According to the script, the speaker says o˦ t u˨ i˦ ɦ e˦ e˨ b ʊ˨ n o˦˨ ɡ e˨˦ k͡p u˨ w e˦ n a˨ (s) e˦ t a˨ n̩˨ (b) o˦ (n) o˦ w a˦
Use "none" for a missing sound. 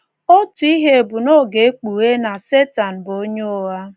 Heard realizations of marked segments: s, b, ɲ

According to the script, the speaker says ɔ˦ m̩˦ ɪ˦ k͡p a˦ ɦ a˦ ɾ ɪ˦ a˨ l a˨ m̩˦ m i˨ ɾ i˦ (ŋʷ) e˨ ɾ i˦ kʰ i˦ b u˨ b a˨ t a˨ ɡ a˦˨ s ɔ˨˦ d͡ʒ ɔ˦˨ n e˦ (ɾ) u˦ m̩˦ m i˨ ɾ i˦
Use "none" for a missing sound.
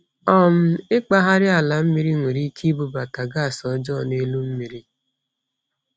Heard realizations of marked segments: ŋʷ, l

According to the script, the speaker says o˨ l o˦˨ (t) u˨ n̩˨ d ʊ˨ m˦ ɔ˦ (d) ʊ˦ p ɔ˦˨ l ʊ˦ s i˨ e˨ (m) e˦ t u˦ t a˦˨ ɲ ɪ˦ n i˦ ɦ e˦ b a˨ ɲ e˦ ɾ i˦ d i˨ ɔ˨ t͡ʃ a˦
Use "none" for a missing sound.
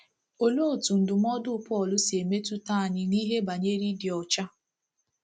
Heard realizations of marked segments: t, d, m

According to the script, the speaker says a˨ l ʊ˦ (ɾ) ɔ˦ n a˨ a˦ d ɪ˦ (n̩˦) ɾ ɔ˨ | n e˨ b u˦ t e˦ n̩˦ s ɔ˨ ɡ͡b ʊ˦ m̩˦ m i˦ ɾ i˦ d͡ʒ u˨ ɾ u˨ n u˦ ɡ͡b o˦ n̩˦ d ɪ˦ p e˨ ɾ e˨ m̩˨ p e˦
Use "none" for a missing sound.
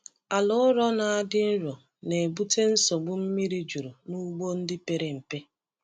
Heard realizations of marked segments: ɾ, n̩˦

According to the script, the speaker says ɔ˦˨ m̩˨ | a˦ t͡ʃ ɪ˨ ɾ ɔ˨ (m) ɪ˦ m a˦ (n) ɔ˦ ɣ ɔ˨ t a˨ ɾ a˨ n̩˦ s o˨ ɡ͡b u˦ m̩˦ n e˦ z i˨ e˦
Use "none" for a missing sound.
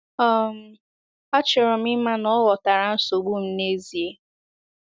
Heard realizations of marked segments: m, n

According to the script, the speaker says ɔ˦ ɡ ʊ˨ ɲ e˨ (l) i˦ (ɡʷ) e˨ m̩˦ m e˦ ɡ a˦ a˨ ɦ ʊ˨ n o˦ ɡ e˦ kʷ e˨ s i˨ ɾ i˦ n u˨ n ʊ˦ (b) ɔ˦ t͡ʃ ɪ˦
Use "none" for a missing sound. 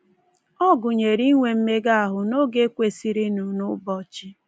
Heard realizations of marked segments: ɾ, ŋʷ, b

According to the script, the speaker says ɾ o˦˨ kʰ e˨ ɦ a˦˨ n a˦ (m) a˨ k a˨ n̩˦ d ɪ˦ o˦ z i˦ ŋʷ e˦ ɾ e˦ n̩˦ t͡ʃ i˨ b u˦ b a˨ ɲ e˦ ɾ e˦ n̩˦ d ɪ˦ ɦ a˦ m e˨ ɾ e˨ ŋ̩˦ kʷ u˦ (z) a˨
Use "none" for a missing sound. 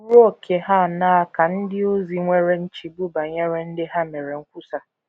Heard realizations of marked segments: none, s

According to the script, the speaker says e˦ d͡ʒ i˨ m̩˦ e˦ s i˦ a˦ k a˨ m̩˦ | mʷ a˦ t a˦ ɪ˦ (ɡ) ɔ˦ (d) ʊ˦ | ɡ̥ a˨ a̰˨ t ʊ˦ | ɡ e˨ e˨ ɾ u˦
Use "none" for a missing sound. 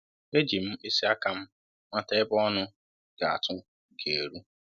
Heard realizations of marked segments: b, n

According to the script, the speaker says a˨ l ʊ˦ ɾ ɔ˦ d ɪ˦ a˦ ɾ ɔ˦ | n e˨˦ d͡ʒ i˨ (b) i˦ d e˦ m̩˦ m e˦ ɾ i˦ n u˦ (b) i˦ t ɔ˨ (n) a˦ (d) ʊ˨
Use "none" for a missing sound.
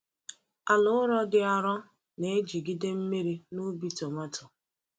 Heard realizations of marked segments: ɡ, b, m, t

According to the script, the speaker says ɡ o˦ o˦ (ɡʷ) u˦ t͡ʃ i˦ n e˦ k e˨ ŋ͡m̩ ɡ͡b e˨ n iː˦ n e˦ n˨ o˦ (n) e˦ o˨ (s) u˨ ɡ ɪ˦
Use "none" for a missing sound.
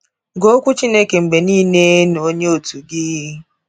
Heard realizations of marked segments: kʷ, ɲ, t

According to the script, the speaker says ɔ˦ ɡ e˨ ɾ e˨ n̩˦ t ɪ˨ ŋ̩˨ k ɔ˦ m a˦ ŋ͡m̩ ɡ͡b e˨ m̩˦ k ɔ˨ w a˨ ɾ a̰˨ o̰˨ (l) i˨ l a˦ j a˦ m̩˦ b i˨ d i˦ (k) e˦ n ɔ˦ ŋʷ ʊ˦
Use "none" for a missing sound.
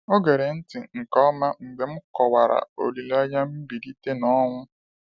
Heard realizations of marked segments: l, t

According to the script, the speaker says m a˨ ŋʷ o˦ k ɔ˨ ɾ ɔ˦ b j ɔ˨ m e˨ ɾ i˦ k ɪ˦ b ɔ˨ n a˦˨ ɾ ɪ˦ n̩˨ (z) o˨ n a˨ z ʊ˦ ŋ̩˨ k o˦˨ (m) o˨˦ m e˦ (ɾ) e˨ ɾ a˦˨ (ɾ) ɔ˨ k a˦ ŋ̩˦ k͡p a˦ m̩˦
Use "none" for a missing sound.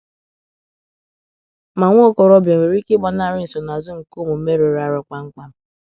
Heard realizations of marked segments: s, m, ɾ, ɾ

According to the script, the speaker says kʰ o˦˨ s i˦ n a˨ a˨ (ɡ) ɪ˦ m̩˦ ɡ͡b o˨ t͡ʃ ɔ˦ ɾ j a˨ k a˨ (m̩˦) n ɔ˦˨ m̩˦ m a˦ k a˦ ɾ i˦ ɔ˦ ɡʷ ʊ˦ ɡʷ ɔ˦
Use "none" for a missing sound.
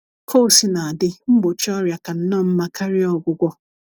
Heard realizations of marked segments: d, n̩˦

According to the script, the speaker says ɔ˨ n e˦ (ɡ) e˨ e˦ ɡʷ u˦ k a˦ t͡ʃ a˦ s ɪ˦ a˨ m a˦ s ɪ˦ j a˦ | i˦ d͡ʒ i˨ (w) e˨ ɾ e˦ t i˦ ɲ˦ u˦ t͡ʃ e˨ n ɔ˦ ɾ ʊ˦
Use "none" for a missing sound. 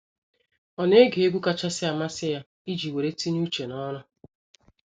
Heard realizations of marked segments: ɡ, w

